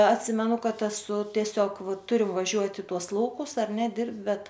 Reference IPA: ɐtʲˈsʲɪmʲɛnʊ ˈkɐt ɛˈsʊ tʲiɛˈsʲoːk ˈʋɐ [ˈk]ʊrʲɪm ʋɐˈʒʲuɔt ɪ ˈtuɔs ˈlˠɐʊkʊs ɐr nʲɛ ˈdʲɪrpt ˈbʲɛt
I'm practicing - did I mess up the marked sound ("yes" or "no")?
yes